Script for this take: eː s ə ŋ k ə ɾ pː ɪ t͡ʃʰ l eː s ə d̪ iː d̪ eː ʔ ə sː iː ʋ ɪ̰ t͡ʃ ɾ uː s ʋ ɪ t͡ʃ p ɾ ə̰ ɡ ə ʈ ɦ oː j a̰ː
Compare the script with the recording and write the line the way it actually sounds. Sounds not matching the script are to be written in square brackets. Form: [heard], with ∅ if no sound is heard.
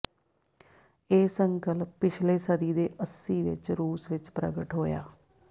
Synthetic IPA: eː s ə ŋ k ə [l] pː ɪ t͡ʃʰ l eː s ə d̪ iː d̪ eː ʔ ə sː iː ʋ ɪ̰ t͡ʃ ɾ uː s ʋ ɪ t͡ʃ p ɾ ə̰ ɡ ə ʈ ɦ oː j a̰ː